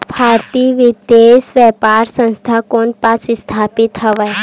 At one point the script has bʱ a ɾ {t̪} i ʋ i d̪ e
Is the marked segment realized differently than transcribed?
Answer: no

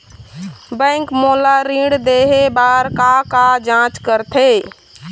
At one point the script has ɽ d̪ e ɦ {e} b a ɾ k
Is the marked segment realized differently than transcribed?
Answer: no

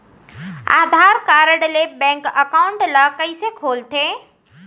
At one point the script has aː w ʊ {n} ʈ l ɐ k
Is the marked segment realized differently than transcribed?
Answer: yes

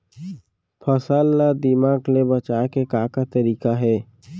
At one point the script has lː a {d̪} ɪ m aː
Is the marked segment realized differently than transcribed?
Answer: no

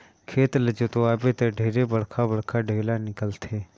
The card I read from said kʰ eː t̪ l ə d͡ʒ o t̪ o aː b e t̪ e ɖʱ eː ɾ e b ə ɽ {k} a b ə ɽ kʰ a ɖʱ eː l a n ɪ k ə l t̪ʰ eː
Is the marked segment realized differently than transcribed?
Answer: yes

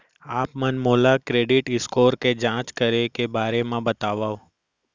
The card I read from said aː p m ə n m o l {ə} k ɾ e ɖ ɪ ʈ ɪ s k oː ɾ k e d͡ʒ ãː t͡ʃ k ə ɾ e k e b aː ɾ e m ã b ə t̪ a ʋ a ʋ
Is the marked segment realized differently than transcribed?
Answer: yes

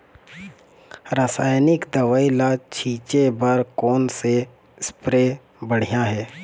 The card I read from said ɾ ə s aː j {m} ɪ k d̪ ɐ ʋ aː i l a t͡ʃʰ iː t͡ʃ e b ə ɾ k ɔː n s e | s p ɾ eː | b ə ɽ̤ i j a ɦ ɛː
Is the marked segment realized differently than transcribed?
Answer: yes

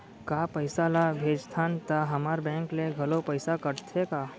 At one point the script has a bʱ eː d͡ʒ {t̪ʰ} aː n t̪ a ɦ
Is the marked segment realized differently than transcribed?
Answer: no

